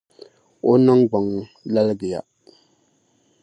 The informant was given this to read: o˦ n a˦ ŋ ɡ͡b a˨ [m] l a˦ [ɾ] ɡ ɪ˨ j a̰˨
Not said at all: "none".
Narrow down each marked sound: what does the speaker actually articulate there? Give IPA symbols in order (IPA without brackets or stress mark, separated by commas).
ŋ, l